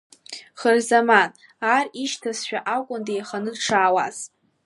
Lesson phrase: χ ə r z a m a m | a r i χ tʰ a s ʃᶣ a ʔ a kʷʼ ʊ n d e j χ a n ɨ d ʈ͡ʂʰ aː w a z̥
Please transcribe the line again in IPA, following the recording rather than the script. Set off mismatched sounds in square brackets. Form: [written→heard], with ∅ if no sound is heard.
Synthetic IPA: χ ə r z a m a [m→n] | a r i [χ→ʃ] tʰ a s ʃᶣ a ʔ a kʷʼ ʊ n d e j χ a n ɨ d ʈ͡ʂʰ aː w a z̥